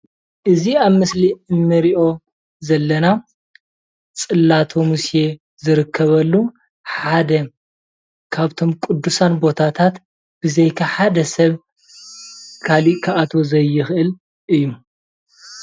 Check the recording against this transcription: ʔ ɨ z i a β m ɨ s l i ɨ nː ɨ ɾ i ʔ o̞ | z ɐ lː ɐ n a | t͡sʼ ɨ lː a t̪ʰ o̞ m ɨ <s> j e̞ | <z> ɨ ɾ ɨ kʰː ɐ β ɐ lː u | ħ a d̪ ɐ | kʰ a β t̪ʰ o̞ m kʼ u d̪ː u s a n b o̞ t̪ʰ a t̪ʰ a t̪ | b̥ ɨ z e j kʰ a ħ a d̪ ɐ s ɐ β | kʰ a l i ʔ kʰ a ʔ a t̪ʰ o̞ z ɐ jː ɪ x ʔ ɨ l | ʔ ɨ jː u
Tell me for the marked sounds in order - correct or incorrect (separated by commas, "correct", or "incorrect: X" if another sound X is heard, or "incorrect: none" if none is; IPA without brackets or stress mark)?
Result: correct, correct